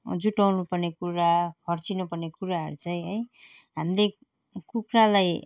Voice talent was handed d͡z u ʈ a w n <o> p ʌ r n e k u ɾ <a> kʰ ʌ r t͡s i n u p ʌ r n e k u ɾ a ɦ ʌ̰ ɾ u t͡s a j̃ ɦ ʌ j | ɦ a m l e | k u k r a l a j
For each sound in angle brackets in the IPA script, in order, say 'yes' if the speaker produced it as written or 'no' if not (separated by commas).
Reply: no, yes